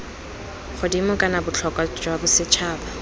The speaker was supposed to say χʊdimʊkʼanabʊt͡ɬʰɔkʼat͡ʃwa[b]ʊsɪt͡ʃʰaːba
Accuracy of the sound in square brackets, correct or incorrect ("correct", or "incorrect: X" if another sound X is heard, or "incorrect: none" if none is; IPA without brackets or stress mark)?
correct